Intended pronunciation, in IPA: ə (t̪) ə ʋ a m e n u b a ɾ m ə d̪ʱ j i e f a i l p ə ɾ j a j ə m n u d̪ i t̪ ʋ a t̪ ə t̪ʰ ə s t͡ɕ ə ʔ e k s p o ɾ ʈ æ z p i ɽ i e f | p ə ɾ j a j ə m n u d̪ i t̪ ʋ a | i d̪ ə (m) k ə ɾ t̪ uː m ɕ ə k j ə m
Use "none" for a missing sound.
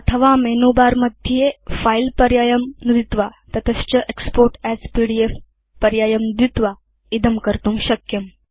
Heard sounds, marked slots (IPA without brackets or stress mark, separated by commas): t̪ʰ, m